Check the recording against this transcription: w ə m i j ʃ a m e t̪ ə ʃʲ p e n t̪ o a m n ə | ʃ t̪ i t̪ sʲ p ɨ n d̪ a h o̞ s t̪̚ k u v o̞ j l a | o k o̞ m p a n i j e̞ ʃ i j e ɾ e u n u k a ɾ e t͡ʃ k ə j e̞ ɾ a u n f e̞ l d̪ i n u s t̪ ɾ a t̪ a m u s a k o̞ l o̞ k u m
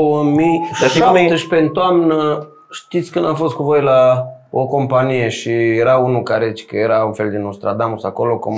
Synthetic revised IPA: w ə m i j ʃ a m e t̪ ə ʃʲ p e n t̪ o a m n ə | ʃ t̪ i t̪ sʲ k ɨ n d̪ a f o̞ s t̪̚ k u v o̞ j l a | o k o̞ m p a n i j e̞ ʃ i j e ɾ a u n u k a ɾ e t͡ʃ k ə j e̞ ɾ a u n f e̞ l d̪ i n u s t̪ ɾ a d̪ a m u s a k o̞ l o̞ k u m